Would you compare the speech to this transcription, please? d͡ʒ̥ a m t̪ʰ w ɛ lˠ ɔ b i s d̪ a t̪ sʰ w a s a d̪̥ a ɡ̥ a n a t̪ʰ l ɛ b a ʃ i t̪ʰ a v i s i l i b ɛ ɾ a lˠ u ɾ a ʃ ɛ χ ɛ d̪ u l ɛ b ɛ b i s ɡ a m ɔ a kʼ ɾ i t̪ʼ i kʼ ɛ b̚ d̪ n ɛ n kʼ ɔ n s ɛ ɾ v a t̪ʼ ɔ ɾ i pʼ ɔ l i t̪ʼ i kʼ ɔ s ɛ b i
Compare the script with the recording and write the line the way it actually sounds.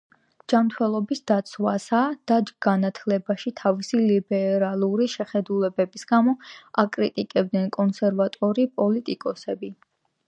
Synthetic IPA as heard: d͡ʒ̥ a m t̪ʰ w ɛ lˠ ɔ b i s d̪ a t̪ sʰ w a s a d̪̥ a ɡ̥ a n a t̪ʰ l ɛ b a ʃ i t̪ʰ a v i s i l i b ɛ ɾ a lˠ u ɾ i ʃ ɛ χ ɛ d̪ u l ɛ b ɛ b i s ɡ a m ɔ a kʼ ɾ i t̪ʼ i kʼ ɛ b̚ d̪ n ɛ n kʼ ɔ n s ɛ ɾ v a t̪ʼ ɔ ɾ i pʼ ɔ l i t̪ʼ i kʼ ɔ s ɛ b i

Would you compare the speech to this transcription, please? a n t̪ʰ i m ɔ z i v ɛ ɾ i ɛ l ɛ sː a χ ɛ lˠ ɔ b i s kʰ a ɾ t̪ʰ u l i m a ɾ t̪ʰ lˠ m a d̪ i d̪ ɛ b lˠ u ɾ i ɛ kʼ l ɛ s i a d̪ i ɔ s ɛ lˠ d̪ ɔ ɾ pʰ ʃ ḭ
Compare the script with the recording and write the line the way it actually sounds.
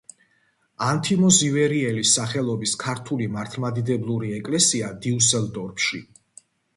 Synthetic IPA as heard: a n t̪ʰ i m ɔ z i v ɛ ɾ i ɛ l i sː a χ ɛ lˠ ɔ b i s kʰ a ɾ t̪ʰ u l i m a ɾ t̪ʰ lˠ m a d̪ i d̪ ɛ b lˠ u ɾ i ɛ kʼ l ɛ s i a d̪ i u s ɛ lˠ d̪ ɔ ɾ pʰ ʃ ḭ

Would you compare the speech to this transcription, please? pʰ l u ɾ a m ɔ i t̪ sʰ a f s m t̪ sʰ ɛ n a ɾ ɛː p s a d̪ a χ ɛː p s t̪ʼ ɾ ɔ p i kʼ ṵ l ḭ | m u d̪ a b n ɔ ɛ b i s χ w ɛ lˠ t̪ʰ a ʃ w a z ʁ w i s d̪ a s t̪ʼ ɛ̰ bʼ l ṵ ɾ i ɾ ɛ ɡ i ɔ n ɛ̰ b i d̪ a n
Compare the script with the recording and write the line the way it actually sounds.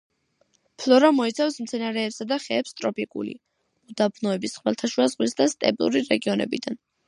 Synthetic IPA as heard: pʰ l ɔ ɾ a m ɔ i t̪ sʰ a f s m t̪ sʰ ɛ n a ɾ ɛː p s a d̪ a χ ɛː p s t̪ʼ ɾ ɔ p i kʼ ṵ l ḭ | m u d̪ a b n ɔ ɛ b i s χ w ɛ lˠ t̪ʰ a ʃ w a z ʁ w i s d̪ a s t̪ʼ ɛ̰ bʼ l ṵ ɾ i ɾ ɛ ɡ i ɔ n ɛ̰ b i d̪ a n

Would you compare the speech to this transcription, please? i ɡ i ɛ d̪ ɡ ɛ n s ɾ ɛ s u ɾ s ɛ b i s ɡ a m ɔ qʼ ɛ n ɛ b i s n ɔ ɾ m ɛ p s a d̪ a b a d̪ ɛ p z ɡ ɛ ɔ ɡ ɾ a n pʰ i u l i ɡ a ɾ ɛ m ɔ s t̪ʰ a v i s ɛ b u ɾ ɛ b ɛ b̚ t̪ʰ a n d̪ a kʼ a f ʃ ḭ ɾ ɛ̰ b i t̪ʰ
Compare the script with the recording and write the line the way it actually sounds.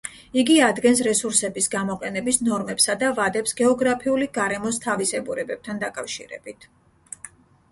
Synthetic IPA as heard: i ɡ i a d̪ ɡ ɛ n s ɾ ɛ s u ɾ s ɛ b i s ɡ a m ɔ qʼ ɛ n ɛ b i s n ɔ ɾ m ɛ p s a d̪ a v a d̪ ɛ p s ɡ ɛ ɔ ɡ ɾ a pʰ i u l i ɡ a ɾ ɛ m ɔ s t̪ʰ a v i s ɛ b u ɾ ɛ b ɛ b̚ t̪ʰ a n d̪ a kʼ a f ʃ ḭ ɾ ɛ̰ b i t̪ʰ

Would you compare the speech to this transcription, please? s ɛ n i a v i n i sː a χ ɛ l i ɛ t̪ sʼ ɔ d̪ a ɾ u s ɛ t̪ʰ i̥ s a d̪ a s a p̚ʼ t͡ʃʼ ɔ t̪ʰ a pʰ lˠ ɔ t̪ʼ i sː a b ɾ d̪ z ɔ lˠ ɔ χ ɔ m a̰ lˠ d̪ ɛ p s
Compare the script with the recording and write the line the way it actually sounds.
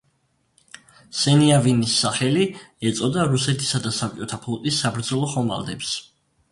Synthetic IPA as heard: s ɛ n i a v i n i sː a χ ɛ l i ɛ t̪ sʼ ɔ d̪ a ɾ u s ɛ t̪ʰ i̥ s a d̪ a s a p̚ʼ t͡ʃʼ ɔ t̪ʰ a pʰ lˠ ɔ t̪ʼ i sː a b ɾ d̪ z ɔ lˠ ɔ χ ɔ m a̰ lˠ d̪ ɛ p s

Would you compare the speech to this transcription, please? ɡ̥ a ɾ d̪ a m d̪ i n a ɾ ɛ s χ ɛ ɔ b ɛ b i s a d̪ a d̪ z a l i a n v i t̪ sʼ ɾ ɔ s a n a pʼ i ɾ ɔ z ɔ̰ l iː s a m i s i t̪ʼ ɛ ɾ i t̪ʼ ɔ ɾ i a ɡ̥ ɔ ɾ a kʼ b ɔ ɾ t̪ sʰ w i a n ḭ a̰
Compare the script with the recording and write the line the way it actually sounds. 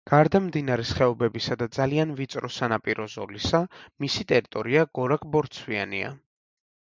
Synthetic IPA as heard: ɡ̥ a ɾ d̪ a m d̪ i n a ɾ ɛ s χ ɛ ɔ b ɛ b i s a d̪ a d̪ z a l i a n v i t̪ sʼ ɾ ɔ s a n a pʼ i ɾ ɔ z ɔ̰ l i s a m i s i t̪ʼ ɛ ɾ i t̪ʼ ɔ ɾ i a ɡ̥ ɔ ɾ a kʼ b ɔ ɾ t̪ sʰ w i a n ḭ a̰

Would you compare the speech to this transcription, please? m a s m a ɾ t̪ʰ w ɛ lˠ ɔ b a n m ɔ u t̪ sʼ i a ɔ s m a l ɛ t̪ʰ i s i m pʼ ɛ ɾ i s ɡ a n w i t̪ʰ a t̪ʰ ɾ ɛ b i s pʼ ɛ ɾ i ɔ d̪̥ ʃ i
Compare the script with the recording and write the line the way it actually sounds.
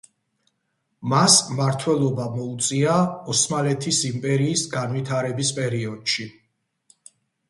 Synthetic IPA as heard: m a s m a ɾ t̪ʰ w ɛ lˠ ɔ b a m ɔ u t̪ sʼ i a ɔ s m a l ɛ t̪ʰ i s i m pʼ ɛ ɾ iː s ɡ a n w i t̪ʰ a ɾ ɛ b i s pʼ ɛ ɾ i ɔ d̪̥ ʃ i

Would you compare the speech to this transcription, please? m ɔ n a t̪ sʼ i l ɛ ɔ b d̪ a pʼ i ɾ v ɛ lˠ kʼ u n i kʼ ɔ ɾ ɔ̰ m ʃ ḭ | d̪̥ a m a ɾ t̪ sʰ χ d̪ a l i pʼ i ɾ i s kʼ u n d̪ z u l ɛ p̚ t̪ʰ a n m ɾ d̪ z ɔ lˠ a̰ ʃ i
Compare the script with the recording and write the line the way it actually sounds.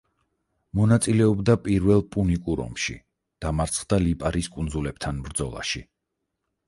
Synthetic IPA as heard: m ɔ n a t̪ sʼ i l ɛ ɔ b d̪ a pʼ i ɾ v ɛ lˠ pʼ u n i kʼ u ɾ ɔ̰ m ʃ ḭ | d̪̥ a m a ɾ t̪ sʰ χ d̪ a l i pʼ a ɾ i s kʼ u n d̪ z u l ɛ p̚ t̪ʰ a n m ɾ d̪ z ɔ lˠ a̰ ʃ i

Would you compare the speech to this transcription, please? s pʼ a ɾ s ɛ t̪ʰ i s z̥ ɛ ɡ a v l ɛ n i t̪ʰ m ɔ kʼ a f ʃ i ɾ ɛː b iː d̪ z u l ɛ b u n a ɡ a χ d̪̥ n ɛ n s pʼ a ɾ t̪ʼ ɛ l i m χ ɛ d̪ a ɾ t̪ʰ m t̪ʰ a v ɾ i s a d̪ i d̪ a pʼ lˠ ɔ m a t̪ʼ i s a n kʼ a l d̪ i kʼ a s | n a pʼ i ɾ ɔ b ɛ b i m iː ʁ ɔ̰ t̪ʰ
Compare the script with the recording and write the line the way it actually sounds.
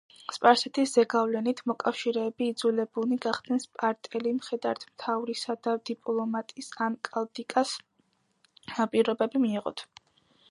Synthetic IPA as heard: s pʼ a ɾ s ɛ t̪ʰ i s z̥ ɛ ɡ a v l ɛ n i t̪ʰ m ɔ kʼ a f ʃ i ɾ ɛː b iː d̪ z u l ɛ b u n i ɡ a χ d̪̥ n ɛ n s pʼ a ɾ t̪ʼ ɛ l i m χ ɛ d̪ a ɾ t̪ʰ m t̪ʰ a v ɾ i s a d̪ a d̪ i pʼ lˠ ɔ m a t̪ʼ i s a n kʼ a l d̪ i kʼ a s | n a pʼ i ɾ ɔ b ɛ b i m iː ʁ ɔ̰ t̪ʰ

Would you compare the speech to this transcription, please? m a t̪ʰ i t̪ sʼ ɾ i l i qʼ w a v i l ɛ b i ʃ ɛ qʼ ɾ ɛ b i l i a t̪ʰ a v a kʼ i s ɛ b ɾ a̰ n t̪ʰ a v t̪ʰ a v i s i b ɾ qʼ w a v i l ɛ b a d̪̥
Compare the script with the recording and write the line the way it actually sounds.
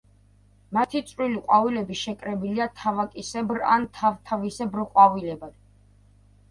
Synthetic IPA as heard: m a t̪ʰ i t̪ sʼ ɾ i l i qʼ w a v i l ɛ b i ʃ ɛ kʼ ɾ ɛ b i l i a t̪ʰ a v a kʼ i s ɛ b ɾ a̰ n t̪ʰ a v t̪ʰ a v i s ɛ b ɾ qʼ w a v i l ɛ b a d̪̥

